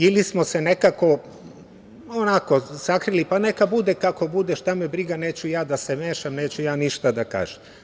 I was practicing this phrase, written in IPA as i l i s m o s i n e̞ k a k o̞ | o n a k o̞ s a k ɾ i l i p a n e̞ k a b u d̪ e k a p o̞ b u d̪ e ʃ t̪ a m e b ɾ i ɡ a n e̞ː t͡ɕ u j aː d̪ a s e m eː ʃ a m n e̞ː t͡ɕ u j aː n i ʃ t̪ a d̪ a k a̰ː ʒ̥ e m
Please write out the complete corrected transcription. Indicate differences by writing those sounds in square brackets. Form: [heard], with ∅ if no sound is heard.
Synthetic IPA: i l i s m o s [e] n e̞ k a k o̞ | o n a k o̞ s a k ɾ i l i p a n e̞ k a b u d̪ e k a [k] o̞ b u d̪ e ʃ t̪ a m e b ɾ i ɡ a n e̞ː t͡ɕ u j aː d̪ a s e m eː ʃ a m n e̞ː t͡ɕ u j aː n i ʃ t̪ a d̪ a k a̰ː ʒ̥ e m

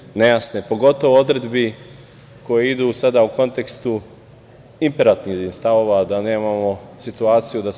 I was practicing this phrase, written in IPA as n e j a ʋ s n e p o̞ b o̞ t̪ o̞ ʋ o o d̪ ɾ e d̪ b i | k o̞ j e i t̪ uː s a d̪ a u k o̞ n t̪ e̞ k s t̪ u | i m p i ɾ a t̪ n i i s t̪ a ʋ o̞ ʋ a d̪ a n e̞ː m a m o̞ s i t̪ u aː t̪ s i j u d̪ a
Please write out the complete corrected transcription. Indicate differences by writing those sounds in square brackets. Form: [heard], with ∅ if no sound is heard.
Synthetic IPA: n e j a [∅] s n e p o̞ [ɡ] o̞ t̪ o̞ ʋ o o d̪ ɾ e d̪ b i | k o̞ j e i [d̪] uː s a d̪ a u k o̞ n t̪ e̞ k s t̪ u | i m p [e] ɾ a t̪ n i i s t̪ a ʋ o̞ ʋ a d̪ a n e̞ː m a m o̞ s i t̪ u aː t̪ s i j u d̪ a

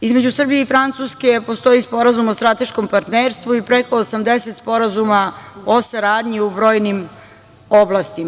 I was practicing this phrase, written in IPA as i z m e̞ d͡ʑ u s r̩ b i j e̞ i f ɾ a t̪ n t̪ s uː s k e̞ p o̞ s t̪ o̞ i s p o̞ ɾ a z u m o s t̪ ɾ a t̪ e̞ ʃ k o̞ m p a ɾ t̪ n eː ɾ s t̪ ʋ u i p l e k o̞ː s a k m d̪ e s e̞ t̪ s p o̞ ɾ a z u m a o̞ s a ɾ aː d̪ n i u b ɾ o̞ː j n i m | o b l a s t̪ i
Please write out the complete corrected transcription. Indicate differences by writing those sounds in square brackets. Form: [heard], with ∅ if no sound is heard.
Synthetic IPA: i z m e̞ d͡ʑ u s r̩ b i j e̞ i f ɾ a [∅] n t̪ s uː s k e̞ p o̞ s t̪ o̞ i s p o̞ ɾ a z u m o s t̪ ɾ a t̪ e̞ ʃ k o̞ m p a ɾ t̪ n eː ɾ s t̪ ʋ u i p [ɾ] e k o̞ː s a [∅] m d̪ e s e̞ t̪ s p o̞ ɾ a z u m a o̞ s a ɾ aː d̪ [ɲ] i u b ɾ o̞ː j n i m | o b l a s t̪ i

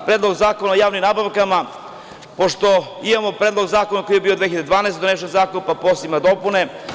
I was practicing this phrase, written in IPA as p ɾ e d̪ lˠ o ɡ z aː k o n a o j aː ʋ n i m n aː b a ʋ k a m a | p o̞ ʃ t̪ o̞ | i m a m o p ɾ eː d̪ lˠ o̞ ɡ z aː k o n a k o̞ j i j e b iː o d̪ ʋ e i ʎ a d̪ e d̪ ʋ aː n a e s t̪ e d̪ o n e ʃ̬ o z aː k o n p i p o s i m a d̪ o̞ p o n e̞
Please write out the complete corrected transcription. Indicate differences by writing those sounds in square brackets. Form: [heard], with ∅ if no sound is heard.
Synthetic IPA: p ɾ e d̪ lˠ o ɡ z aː k o n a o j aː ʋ n i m n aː b a ʋ k a m a | p o̞ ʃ t̪ o̞ | i m a m o p ɾ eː d̪ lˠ o̞ ɡ z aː k o n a k o̞ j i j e b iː o d̪ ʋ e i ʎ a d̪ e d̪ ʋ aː n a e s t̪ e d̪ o n e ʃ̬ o z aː k o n p [a] p o s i m a d̪ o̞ p [u] n e̞

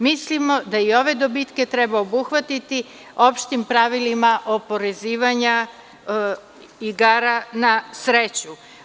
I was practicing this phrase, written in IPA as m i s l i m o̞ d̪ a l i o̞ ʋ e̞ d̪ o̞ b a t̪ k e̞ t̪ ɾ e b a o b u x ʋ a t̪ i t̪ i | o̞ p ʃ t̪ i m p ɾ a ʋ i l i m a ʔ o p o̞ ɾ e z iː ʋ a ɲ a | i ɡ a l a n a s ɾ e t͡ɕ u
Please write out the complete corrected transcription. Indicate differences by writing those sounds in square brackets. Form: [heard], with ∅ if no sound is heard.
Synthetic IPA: m i s l i m o̞ d̪ a [∅] i o̞ ʋ e̞ d̪ o̞ b [i] t̪ k e̞ t̪ ɾ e b a o b u x ʋ a t̪ i t̪ i | o̞ p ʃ t̪ i m p ɾ a ʋ i l i m a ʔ o p o̞ ɾ e z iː ʋ a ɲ a | i ɡ a [ɾ] a n a s ɾ e t͡ɕ u

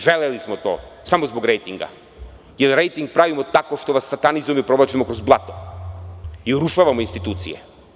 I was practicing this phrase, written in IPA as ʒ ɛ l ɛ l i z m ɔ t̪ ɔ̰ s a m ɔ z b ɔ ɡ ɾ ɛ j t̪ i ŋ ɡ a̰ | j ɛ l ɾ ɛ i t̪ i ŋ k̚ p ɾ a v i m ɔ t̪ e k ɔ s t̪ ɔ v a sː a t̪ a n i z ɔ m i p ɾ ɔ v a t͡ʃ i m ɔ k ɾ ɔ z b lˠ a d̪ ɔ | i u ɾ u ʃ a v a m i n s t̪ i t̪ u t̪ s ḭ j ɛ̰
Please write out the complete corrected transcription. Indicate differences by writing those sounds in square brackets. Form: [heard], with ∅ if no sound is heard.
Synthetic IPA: ʒ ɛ l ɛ l i [s] m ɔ t̪ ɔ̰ s a m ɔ z b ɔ ɡ ɾ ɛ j t̪ i ŋ ɡ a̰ | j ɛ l ɾ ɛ [j] t̪ i ŋ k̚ p ɾ a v i m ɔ t̪ [a] k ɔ [ʃ] t̪ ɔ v a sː a t̪ a n i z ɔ m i p ɾ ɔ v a t͡ʃ i m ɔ k ɾ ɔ z b lˠ a [t̪] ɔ | i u ɾ u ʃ a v a m i n s t̪ i t̪ u t̪ s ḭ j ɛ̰

